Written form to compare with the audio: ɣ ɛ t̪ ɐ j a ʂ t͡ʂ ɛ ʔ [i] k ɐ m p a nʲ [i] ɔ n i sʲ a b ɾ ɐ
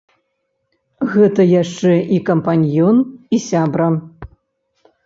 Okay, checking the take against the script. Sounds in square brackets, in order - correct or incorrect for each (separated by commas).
correct, incorrect